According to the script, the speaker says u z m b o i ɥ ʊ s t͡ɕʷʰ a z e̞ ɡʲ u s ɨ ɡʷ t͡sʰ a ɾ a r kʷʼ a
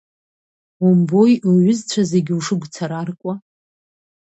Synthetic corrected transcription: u m b o j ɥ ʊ z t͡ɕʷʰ a z e̞ ɡʲ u ʂ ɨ ɡʷ t͡sʰ a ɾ a r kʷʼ a

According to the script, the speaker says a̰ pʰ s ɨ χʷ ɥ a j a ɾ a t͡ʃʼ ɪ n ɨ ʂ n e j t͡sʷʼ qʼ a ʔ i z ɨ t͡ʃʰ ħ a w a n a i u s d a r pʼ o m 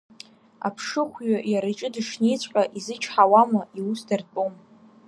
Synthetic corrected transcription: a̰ pʰ ʂ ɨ χʷ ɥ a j a ɾ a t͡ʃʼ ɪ d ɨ ʂ n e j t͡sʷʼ qʼ a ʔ i z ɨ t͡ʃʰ ħ a w a m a i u s d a r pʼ o m

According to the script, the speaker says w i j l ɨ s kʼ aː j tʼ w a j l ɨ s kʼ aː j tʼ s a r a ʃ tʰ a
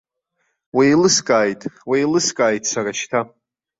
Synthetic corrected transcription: w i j l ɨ s kʼ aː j tʼ w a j l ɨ s kʼ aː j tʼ s a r a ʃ tʰ a

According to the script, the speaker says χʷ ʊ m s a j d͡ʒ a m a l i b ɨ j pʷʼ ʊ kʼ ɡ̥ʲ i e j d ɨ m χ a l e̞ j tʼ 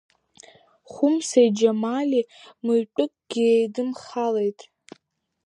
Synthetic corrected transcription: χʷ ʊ m s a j d͡ʒ a m a l i m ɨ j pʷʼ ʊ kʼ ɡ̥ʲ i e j d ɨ m χ a l e̞ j tʼ

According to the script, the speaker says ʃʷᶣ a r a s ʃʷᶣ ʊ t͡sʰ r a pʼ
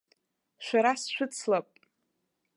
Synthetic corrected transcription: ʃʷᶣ a ɾ a s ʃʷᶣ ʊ t͡sʰ l a pʼ

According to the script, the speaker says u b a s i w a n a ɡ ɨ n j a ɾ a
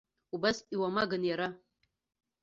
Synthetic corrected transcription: u b a s i w a m a ɡ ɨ n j a ɾ a

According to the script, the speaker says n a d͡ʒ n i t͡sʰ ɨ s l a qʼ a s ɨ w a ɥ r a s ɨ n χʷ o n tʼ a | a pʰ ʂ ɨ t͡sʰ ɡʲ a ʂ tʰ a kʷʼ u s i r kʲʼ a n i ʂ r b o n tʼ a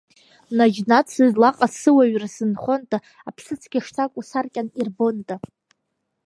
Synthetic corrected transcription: n a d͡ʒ n a t͡sʰ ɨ z l a qʼ a s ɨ w a ɥ r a s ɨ n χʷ o n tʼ a | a pʰ s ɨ t͡sʰ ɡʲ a ʂ tʰ a kʷʼ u s a r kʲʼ a n i r b o n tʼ a

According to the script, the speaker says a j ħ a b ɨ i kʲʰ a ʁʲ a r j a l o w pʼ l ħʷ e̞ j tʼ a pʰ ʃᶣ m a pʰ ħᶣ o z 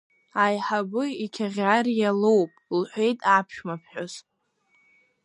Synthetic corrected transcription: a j ħ a b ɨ i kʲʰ a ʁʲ a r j a l o w pʼ l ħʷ e̞ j tʼ a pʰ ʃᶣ m a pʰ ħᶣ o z

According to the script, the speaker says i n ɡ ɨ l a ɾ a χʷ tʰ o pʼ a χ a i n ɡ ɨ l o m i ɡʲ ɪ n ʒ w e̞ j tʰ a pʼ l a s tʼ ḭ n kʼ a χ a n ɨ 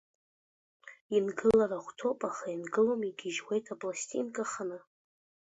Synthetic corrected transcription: i n ɡ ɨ l a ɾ a χʷ tʰ o pʼ a χ a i n ɡ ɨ l o m i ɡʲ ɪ ʒ w e̞ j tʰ a pʼ l a s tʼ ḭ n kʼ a χ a n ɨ

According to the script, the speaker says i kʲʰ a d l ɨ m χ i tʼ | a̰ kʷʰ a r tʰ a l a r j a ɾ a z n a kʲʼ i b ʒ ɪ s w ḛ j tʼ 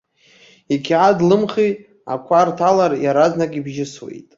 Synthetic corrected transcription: i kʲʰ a d l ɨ m χ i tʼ | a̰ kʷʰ a r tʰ a l a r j a ɾ a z n a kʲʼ i b ʒ ɪ s w ḛ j tʼ

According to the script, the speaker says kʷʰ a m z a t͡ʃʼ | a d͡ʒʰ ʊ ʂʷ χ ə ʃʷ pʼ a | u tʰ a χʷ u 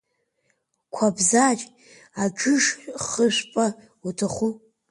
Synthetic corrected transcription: kʷʰ a b z a t͡ʃʼ | a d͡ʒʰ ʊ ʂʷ χ ə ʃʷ pʼ a | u tʰ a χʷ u

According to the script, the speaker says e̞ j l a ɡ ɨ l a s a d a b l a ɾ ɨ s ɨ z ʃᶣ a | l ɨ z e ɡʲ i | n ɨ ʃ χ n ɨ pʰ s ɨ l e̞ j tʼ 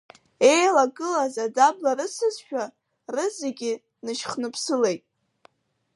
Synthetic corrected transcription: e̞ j l a ɡ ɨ l a z a d a b l a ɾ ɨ s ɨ z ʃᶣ a | r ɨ z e ɡʲ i | n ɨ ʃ χ n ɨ pʰ s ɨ l e̞ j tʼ

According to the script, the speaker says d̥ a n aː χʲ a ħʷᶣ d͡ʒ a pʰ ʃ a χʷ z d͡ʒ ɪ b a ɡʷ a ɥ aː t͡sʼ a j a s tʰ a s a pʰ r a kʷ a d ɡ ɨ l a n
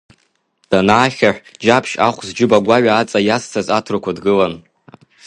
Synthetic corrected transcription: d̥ a n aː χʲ a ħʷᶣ d͡ʒ a pʰ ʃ a χʷ z d͡ʒ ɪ b a ɡʷ a ɥ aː t͡sʼ a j a s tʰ a z a tʰ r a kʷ a d ɡ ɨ l a n

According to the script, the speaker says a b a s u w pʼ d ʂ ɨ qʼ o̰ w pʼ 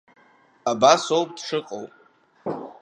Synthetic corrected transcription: a b a s o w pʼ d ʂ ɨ qʼ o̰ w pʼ

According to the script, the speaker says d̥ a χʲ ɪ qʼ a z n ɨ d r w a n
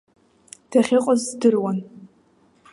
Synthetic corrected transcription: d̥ a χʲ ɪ qʼ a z d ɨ r w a n

